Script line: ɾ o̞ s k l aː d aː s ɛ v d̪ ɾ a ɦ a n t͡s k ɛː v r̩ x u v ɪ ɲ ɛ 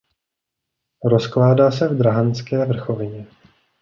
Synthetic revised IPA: ɾ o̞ s k l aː d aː s ɛ v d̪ ɾ a ɦ a n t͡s k ɛː v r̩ x o v ɪ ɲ ɛ